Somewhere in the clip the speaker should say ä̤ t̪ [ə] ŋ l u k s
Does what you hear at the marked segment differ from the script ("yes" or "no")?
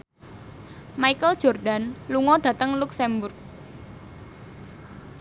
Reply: no